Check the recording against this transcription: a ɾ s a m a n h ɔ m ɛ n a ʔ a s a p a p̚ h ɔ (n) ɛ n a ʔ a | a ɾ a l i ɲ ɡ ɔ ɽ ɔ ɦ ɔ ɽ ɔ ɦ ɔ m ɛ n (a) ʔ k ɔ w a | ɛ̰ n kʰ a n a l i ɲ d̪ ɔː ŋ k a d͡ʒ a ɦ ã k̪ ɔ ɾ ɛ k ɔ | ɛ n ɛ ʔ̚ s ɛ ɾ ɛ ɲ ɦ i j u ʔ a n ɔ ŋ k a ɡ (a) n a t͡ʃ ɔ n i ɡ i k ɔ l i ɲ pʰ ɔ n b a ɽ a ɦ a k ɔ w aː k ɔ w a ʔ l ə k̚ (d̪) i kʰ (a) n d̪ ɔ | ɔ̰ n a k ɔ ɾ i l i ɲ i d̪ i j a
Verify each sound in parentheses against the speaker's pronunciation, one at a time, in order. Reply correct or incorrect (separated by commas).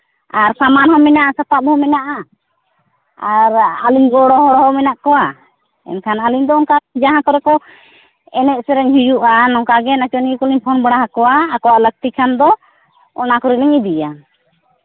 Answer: incorrect, correct, incorrect, incorrect, correct